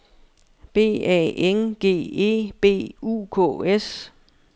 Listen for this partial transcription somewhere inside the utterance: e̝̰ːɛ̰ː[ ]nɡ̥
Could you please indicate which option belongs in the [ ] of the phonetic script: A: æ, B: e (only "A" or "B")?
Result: B